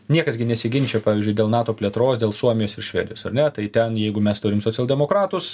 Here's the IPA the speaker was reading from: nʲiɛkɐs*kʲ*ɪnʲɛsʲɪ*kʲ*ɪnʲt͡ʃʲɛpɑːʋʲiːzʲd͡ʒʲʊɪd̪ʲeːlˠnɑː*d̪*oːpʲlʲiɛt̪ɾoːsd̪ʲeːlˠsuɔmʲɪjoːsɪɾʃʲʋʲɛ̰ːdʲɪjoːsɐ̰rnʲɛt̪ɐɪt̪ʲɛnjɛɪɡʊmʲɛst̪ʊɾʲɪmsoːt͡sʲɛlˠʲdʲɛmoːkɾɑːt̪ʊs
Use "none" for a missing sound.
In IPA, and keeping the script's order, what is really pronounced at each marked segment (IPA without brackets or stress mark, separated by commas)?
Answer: ɡʲ, ɡʲ, t̪